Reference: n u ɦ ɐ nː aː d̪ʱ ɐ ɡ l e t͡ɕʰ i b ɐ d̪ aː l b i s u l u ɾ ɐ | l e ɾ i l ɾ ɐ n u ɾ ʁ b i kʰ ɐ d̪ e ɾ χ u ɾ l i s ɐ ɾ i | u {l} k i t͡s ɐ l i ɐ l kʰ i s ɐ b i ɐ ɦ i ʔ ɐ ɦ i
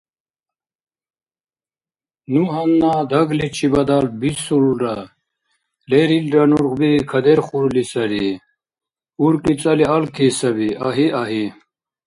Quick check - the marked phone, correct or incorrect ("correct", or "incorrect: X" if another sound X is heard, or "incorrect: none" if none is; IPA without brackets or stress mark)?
incorrect: ɾ